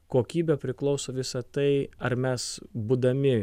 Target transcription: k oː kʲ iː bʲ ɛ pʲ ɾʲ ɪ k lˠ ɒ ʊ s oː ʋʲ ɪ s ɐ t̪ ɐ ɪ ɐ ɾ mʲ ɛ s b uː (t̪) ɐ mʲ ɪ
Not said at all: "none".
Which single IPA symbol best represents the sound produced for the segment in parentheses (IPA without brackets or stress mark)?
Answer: d̪